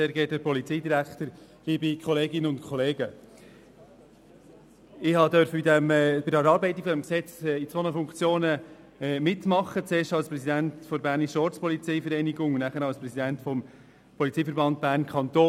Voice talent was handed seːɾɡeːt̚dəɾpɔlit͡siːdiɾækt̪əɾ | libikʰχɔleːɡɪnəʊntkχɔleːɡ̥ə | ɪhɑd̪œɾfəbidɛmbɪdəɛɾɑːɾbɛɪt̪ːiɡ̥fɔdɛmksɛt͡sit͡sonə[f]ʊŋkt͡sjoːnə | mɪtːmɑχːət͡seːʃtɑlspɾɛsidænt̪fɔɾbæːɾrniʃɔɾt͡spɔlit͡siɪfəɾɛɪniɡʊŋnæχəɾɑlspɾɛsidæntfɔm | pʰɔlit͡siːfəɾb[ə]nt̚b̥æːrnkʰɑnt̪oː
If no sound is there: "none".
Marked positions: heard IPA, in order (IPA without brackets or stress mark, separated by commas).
f, ɑ